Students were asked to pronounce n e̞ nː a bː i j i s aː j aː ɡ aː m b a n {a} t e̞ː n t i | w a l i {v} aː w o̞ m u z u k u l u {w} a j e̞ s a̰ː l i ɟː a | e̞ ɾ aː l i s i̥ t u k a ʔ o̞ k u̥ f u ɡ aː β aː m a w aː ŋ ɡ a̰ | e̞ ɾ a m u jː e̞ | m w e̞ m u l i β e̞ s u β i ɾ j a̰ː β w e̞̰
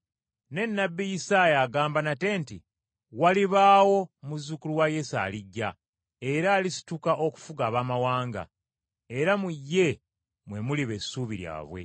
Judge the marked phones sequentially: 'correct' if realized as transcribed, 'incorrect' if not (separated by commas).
correct, incorrect, correct